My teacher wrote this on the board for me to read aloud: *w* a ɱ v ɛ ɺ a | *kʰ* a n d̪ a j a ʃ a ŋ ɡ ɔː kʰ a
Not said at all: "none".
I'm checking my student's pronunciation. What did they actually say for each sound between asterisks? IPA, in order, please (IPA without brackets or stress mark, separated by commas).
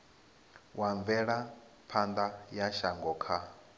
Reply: w, pʰ